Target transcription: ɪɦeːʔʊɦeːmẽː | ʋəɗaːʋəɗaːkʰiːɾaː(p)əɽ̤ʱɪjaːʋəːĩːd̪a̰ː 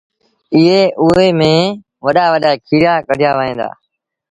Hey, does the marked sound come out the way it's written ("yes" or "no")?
no